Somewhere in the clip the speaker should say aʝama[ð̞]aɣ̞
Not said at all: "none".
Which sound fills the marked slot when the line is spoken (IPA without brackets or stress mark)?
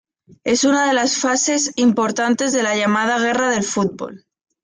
ð̞